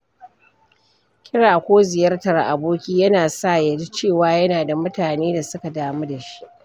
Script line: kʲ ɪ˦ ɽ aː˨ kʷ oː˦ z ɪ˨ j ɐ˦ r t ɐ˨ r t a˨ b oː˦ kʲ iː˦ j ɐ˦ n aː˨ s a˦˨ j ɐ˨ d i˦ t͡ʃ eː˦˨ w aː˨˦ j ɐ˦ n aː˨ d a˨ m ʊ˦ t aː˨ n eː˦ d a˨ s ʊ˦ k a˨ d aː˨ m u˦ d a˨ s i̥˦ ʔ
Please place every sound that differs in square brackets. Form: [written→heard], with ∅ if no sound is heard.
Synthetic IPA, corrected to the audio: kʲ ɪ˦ ɽ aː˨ kʷ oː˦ z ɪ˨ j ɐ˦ r t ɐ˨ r [t→ʔ] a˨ b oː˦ kʲ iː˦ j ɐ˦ n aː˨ s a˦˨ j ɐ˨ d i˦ t͡ʃ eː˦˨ w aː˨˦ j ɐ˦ n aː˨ d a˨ m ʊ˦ t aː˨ n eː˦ d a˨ s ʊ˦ k a˨ d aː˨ m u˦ d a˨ [s→ʃ] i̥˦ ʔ